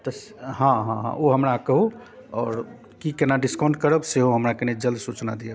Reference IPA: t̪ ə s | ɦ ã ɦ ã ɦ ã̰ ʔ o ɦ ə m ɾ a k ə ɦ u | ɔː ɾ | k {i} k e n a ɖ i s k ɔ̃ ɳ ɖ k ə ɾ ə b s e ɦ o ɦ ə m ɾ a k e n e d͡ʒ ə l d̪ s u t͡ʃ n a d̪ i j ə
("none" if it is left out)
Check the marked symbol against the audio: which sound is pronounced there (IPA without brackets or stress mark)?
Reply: i